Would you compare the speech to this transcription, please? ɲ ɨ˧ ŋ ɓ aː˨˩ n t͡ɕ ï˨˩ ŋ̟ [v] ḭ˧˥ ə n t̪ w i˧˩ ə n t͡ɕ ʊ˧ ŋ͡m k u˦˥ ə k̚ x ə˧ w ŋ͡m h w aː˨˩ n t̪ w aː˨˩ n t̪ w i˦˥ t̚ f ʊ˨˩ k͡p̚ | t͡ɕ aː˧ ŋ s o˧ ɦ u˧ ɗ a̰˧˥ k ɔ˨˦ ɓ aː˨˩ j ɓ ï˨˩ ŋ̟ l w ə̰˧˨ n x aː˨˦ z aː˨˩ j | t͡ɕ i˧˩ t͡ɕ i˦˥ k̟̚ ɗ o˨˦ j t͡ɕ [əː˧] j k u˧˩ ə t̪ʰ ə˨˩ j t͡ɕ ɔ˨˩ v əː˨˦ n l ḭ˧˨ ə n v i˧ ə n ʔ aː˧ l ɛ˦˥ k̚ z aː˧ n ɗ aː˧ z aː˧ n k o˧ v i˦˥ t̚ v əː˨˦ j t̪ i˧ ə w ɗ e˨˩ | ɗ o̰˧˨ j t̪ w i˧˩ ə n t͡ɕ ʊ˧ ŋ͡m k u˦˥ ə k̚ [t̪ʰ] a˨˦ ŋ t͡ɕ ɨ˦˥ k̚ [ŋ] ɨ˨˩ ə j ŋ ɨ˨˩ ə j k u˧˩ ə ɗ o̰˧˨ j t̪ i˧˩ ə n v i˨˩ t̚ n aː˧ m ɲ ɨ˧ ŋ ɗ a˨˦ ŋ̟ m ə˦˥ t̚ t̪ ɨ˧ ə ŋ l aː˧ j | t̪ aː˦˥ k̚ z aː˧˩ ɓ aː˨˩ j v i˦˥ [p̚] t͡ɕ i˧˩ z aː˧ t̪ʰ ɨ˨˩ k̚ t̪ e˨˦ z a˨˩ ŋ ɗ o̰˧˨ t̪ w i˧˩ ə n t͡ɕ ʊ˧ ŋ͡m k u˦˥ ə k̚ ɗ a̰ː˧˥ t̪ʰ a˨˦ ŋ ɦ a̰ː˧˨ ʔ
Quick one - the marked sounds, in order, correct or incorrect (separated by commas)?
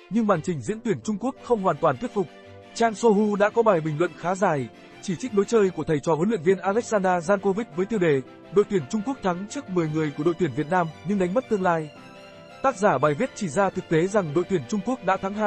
incorrect, correct, correct, incorrect, incorrect